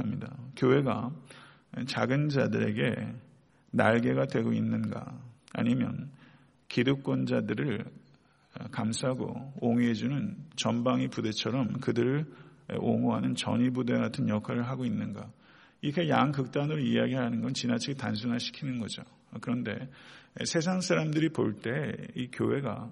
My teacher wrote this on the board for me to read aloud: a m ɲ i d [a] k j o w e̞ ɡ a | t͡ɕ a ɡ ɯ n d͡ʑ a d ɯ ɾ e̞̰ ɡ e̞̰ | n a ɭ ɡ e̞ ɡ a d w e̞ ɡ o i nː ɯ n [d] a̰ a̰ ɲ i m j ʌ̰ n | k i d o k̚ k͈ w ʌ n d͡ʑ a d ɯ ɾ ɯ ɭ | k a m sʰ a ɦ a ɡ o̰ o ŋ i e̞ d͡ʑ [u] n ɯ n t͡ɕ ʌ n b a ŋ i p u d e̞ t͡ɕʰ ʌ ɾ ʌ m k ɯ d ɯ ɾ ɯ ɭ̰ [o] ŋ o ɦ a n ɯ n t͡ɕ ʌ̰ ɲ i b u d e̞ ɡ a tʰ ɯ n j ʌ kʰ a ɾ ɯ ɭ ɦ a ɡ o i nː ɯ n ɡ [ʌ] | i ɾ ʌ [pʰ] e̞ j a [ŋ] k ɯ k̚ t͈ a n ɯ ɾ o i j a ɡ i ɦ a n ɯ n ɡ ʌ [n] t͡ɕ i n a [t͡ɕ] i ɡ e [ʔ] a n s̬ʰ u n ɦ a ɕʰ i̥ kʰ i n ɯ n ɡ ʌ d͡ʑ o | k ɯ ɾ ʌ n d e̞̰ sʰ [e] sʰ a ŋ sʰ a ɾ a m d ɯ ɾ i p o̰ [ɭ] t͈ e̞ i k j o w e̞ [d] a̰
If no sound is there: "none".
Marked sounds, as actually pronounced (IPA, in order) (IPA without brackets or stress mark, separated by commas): a, ɡ, u, o, a, kʰ, ŋ, n, t͡ɕʰ, t, e, ɭ, ɡ